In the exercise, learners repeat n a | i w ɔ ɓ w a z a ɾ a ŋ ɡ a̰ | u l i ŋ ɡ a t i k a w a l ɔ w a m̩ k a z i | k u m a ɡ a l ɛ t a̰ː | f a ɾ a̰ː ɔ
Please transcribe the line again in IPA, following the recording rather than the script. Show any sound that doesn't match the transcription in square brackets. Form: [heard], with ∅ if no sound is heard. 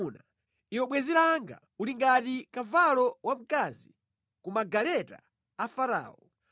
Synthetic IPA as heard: n a | i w ɔ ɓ w [ɛ] z [i] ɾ a ŋ ɡ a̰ | u l i ŋ ɡ a t i k a [v] a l ɔ w a m̩ k a z i | k u m a ɡ a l ɛ t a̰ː | f a ɾ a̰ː ɔ